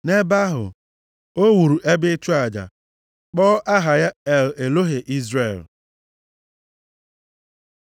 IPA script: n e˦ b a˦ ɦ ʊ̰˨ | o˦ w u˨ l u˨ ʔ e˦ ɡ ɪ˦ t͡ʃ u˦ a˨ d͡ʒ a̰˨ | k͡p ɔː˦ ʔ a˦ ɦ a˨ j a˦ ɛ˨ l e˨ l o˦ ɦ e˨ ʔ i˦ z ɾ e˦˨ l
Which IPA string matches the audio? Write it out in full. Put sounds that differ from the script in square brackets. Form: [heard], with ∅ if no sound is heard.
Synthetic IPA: n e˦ b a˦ ɦ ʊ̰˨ | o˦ w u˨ [ɾ] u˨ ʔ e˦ [b] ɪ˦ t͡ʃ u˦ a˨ d͡ʒ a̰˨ | k͡p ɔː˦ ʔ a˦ ɦ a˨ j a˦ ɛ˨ l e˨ l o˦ ɦ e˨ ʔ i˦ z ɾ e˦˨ l

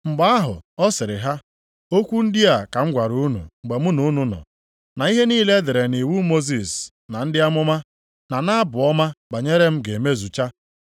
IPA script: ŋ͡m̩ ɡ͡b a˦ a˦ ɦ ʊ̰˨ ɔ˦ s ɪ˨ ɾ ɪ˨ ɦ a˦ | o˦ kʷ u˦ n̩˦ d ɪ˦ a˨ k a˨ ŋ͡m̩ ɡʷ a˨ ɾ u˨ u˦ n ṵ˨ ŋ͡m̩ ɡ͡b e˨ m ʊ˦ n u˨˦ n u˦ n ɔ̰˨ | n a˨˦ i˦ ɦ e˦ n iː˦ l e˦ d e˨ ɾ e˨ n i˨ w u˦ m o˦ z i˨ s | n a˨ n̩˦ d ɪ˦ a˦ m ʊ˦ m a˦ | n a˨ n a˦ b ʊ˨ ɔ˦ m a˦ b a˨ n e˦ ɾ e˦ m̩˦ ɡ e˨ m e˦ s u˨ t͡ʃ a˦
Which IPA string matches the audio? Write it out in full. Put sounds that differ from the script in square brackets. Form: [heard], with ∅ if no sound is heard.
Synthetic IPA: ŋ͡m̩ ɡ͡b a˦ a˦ ɦ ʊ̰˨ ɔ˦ s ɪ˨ ɾ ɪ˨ ɦ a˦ | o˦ kʷ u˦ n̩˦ d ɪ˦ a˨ k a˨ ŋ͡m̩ ɡʷ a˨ ɾ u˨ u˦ n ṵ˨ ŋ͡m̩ ɡ͡b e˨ m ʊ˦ n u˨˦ n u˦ n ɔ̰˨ | n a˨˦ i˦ ɦ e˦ n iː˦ l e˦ d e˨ ɾ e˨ n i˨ w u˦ m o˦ z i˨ s | n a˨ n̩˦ d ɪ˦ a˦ m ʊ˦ m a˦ | n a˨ n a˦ b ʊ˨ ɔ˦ m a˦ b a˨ [ɲ] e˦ ɾ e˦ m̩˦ ɡ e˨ m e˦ [z] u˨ t͡ʃ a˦

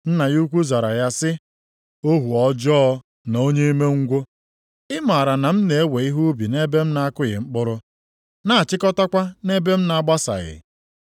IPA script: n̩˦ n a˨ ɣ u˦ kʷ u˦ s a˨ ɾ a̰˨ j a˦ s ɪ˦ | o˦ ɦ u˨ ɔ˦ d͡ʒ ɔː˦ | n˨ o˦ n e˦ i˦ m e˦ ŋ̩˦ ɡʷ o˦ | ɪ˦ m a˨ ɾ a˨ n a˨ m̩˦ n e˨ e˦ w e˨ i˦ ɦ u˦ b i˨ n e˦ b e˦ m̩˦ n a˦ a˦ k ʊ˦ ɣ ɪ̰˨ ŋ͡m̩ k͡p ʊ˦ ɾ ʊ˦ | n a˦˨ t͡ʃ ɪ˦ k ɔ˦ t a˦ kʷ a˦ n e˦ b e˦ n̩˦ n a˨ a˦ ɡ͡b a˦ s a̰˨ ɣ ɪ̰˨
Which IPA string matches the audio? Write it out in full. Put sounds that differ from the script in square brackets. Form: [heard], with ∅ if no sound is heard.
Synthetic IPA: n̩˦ n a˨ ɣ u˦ kʷ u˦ [z] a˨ ɾ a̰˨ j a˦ s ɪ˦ | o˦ ɦ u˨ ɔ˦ d͡ʒ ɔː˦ | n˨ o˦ [ɲ] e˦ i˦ m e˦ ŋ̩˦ ɡʷ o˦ | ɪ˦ m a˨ ɾ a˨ n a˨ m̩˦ n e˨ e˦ w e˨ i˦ ɦ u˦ b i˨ n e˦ b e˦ m̩˦ n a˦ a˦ k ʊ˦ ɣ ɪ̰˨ ŋ͡m̩ k͡p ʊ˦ ɾ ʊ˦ | n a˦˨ t͡ʃ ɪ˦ k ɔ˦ t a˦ kʷ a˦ n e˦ b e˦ [m̩˦] n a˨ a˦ ɡ͡b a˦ s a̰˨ ɣ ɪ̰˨

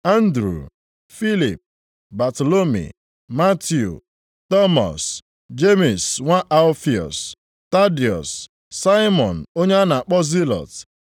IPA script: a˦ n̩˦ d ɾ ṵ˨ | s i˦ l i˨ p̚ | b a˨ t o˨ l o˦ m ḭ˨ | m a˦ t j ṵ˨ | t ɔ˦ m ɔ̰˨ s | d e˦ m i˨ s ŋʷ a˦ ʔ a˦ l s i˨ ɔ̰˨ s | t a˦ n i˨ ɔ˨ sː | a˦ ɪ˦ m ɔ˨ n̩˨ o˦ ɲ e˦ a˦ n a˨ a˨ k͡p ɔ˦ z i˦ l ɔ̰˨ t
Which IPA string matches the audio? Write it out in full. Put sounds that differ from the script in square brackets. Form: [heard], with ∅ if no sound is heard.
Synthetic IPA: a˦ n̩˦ d ɾ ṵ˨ | [f] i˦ l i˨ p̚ | b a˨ t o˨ l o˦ m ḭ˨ | m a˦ t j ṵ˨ | t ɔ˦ m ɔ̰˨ s | [d͡ʒ] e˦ m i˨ s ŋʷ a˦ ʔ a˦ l [f] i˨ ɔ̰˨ s | t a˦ [d] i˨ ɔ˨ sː | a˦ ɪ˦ m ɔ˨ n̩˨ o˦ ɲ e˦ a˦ n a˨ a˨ k͡p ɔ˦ z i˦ l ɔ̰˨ t

